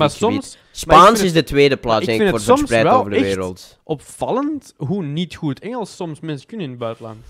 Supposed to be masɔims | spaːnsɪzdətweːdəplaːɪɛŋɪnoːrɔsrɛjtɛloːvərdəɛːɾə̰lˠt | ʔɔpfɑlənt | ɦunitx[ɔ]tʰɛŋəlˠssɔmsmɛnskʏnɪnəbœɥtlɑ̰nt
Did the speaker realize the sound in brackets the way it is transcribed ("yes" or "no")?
no